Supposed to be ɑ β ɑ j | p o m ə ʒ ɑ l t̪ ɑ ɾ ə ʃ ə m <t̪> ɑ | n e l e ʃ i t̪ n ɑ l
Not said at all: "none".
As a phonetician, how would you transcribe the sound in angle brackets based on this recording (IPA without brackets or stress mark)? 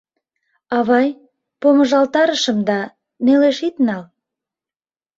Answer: d̪